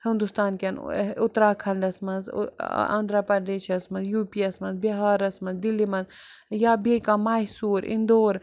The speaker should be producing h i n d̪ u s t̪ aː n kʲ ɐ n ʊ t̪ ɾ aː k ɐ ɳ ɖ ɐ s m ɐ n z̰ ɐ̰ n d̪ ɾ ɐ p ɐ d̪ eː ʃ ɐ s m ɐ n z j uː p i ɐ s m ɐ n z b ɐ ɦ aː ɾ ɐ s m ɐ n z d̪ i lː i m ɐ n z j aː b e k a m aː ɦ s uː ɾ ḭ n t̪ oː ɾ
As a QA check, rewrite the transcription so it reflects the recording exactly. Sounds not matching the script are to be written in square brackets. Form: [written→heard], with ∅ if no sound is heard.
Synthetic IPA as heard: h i n d̪ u s t̪ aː n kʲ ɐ n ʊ t̪ ɾ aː [k→kʰ] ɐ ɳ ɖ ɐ s m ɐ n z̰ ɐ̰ n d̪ ɾ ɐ p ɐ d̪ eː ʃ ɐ s m ɐ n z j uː p i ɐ s m ɐ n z b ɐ ɦ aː ɾ ɐ s m ɐ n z d̪ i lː i m ɐ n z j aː b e k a m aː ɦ s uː ɾ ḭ n [t̪→d̪] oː ɾ